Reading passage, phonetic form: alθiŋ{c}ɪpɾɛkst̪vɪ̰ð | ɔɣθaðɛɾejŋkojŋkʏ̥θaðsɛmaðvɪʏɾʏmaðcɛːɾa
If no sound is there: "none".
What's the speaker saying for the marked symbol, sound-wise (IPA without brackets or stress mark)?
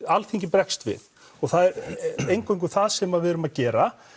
c